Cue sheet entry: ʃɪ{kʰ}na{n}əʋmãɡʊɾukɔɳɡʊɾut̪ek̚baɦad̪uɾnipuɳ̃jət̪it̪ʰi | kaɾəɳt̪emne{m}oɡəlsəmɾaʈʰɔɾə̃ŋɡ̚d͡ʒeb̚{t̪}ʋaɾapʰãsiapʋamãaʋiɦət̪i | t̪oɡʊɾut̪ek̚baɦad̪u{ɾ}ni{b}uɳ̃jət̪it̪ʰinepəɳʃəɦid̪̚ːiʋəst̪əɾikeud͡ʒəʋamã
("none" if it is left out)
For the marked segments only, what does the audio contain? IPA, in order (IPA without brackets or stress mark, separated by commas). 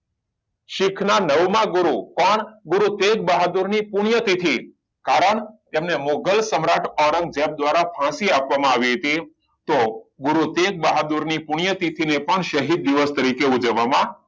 kʰ, n, m, d̪, ɾ, p